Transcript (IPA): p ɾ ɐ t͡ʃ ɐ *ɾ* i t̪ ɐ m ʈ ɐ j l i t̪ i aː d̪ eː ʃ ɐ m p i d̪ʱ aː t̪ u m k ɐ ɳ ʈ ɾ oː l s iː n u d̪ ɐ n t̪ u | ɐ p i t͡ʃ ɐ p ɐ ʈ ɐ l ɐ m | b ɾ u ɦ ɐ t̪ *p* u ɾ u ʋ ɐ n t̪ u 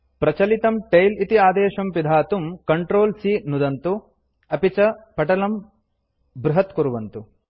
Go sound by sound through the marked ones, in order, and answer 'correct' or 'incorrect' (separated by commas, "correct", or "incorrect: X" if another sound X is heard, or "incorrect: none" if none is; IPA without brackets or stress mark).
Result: incorrect: l, incorrect: k